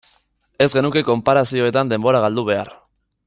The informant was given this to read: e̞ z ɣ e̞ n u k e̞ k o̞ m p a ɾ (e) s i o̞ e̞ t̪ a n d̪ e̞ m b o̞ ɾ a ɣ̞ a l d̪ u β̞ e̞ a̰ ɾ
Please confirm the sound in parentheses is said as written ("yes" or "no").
no